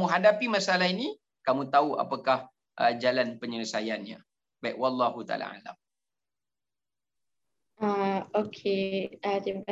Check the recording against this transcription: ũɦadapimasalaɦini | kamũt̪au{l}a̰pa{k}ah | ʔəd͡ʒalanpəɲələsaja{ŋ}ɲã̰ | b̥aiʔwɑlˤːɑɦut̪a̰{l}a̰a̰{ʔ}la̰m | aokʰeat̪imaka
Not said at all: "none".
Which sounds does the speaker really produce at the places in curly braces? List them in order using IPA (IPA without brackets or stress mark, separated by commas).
none, k, n, l, none